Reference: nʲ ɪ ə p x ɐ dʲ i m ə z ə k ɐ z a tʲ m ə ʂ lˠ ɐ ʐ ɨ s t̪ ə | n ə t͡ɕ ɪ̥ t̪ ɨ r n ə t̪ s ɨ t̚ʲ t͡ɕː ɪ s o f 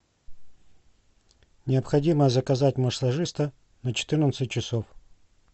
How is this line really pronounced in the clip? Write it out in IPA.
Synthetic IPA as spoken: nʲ ɪ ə p x ɐ dʲ i m ə z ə k ɐ z a tʲ m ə ʂ lˠ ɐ ʐ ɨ s t̪ ə | n ə t͡ɕ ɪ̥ t̪ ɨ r n ə t̪ s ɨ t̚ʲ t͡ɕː ɪ s o f